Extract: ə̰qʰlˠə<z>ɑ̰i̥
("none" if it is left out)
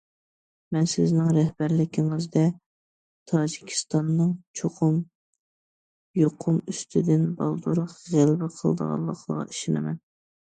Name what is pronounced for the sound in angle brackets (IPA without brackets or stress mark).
ʁ